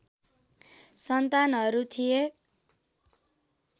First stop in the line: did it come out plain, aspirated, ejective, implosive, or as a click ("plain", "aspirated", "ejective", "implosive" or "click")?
plain